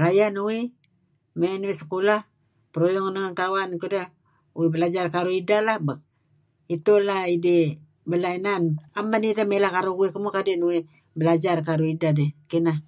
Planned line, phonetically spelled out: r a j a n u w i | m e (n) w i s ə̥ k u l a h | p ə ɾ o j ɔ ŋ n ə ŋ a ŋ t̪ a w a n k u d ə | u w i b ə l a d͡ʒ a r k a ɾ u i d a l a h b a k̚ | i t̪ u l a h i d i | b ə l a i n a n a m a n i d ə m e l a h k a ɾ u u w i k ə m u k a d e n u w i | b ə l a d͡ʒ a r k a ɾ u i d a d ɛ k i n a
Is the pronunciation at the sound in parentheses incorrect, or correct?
correct